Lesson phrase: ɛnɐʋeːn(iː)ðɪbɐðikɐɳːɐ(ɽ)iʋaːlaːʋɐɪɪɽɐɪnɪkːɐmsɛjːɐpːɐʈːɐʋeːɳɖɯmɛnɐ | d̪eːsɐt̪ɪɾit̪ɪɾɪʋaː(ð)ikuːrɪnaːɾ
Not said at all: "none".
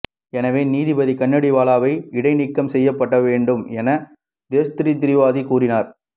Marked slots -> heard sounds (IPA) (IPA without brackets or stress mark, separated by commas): iː, ɽ, ð